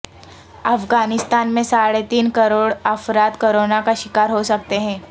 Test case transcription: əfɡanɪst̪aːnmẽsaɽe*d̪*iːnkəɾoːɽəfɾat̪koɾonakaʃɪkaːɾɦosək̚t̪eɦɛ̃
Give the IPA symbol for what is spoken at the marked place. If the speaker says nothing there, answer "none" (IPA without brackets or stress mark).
t̪